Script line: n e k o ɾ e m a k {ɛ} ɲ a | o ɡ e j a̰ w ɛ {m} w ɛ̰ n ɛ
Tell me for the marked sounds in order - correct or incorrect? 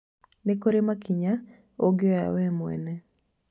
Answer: incorrect, correct

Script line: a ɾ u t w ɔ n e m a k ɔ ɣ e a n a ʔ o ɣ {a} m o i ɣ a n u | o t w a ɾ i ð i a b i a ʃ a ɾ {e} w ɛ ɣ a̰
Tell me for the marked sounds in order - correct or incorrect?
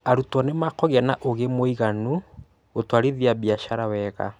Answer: incorrect, incorrect

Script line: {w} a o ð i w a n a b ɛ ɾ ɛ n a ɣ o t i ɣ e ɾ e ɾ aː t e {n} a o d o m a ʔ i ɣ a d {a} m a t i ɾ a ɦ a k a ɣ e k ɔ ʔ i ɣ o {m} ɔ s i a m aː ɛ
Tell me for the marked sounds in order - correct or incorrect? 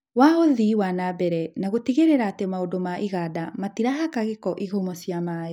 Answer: correct, incorrect, correct, correct

